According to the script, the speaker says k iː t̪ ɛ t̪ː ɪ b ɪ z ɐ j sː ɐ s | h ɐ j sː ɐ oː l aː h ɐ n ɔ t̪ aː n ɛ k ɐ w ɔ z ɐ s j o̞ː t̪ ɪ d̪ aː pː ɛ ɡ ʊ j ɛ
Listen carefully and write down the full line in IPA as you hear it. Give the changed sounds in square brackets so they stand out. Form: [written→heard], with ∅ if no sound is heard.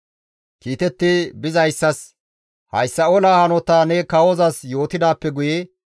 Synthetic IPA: k iː t̪ ɛ t̪ː ɪ b ɪ z ɐ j sː ɐ s | h ɐ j sː ɐ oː l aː h ɐ n ɔ t̪ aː n ɛ k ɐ w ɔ z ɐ s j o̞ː t̪ ɪ d̪ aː pː ɛ ɡ ʊ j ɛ